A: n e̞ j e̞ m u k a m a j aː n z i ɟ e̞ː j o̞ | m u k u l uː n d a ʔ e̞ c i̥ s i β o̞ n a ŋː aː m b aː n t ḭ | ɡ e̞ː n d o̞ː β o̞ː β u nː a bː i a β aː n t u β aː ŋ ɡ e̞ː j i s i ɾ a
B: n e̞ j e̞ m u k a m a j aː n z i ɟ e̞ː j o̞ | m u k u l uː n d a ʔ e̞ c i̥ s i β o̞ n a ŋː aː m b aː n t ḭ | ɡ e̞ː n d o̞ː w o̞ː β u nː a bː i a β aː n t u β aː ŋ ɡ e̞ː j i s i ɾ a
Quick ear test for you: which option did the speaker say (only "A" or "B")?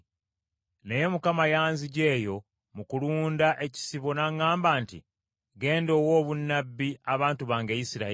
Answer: B